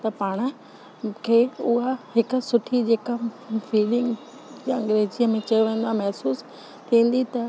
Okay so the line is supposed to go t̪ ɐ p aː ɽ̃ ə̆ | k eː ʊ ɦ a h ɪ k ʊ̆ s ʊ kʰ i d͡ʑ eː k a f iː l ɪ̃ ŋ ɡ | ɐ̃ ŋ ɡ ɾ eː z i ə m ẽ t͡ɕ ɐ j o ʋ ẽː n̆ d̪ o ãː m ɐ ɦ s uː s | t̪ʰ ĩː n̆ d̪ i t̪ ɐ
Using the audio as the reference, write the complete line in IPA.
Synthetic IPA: t̪ ɐ p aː ɽ̃ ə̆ | kʰ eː ʊ ɦ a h ɪ k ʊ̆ s ʊ ʈʰ i d͡ʑ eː k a f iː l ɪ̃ ŋ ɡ | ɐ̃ ŋ ɡ ɾ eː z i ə m ẽ t͡ɕ ɐ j o ʋ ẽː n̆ d̪ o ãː m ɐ ɦ s uː s | t̪ʰ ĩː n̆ d̪ i t̪ ɐ

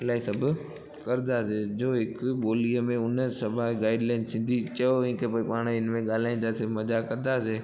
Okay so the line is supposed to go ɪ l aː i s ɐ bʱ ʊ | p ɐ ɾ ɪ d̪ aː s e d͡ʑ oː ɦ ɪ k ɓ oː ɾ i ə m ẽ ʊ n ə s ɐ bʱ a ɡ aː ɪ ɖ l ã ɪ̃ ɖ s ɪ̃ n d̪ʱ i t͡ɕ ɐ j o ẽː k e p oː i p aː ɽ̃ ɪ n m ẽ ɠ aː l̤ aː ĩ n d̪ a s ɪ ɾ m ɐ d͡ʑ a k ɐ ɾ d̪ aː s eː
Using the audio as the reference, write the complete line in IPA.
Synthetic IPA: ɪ l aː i s ɐ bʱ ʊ | k ɐ ɾ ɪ d̪ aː s e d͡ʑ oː ɦ ɪ k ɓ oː l i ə m ẽ ʊ n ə s ɐ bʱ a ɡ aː ɪ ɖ l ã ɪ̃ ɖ s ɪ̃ n d̪ʱ i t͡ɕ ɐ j o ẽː k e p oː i p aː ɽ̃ ɪ n m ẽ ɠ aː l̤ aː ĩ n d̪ a s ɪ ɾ m ɐ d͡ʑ a k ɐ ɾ d̪ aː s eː

